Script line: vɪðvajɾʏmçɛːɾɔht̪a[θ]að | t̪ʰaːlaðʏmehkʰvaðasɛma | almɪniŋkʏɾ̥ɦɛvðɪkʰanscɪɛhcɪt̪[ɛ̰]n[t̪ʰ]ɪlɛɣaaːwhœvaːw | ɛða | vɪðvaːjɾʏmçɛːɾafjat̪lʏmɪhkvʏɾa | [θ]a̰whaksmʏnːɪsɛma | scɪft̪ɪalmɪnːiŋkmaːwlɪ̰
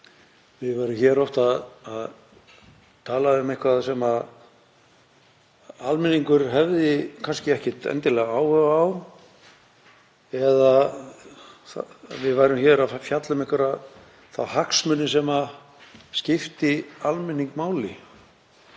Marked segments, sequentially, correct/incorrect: incorrect, correct, incorrect, correct

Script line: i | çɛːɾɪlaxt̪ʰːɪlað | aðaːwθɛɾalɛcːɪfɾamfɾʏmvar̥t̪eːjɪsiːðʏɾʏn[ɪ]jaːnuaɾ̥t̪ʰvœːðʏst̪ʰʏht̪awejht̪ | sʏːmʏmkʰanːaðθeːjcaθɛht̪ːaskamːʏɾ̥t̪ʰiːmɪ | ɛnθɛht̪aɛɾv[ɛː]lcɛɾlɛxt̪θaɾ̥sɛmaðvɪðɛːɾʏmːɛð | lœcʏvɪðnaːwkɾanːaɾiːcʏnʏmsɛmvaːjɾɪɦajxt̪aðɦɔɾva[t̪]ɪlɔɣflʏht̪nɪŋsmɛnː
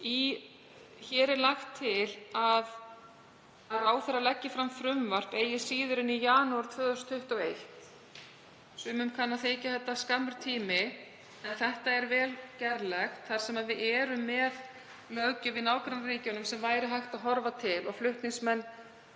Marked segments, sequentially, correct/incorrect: incorrect, correct, incorrect

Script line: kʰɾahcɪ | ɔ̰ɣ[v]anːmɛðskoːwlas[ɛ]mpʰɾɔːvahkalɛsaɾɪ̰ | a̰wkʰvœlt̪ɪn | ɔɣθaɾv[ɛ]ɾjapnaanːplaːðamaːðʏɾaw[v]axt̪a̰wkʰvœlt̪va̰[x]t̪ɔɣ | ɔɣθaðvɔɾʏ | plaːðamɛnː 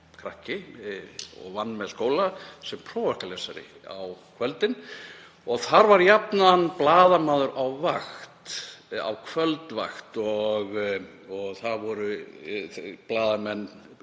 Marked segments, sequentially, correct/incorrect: correct, correct, incorrect, correct, correct

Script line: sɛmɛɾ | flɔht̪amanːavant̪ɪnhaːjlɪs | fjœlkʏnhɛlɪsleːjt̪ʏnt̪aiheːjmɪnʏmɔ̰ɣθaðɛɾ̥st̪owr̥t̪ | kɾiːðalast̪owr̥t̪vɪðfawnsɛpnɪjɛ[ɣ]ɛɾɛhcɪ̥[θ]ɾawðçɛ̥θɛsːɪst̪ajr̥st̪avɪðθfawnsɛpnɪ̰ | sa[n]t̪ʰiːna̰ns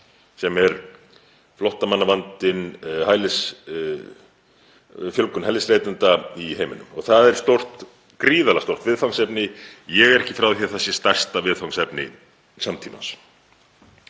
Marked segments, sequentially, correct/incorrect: correct, incorrect, incorrect

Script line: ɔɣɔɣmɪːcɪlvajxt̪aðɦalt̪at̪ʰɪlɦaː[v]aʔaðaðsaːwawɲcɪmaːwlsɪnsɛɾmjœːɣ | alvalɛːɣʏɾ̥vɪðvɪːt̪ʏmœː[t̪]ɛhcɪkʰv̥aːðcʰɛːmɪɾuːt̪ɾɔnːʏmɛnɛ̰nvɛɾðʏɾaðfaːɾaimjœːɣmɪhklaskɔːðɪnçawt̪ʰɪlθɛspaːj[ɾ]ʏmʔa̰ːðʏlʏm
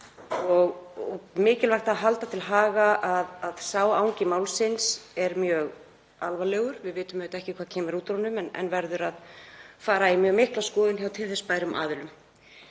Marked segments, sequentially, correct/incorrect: incorrect, correct, correct

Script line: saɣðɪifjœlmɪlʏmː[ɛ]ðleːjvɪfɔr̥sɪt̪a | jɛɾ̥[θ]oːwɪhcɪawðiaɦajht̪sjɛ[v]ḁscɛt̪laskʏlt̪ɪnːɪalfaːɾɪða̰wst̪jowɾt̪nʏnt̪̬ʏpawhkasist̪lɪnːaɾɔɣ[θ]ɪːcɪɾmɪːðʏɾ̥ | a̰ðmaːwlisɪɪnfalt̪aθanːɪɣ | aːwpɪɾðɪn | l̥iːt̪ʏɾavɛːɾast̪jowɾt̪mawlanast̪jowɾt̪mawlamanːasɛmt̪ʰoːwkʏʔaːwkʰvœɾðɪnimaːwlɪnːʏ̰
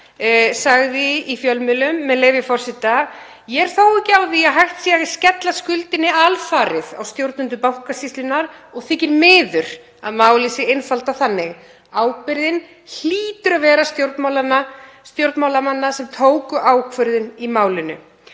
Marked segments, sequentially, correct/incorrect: correct, correct, incorrect, correct

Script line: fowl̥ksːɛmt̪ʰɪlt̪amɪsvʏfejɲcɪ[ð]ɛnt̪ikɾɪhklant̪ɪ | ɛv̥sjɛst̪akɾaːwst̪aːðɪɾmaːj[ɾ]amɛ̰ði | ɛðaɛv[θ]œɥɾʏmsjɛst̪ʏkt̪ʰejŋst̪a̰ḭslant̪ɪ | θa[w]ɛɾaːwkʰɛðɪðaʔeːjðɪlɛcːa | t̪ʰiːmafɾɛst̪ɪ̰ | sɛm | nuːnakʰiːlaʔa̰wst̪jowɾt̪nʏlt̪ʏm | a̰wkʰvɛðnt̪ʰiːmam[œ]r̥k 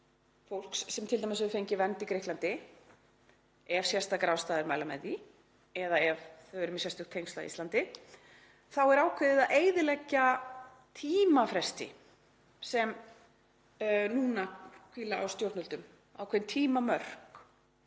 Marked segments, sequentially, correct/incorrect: incorrect, incorrect, correct, correct, correct

